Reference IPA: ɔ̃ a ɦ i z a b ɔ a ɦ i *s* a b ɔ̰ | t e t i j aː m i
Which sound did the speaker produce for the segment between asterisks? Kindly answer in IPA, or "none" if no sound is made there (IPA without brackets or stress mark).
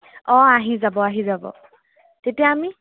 z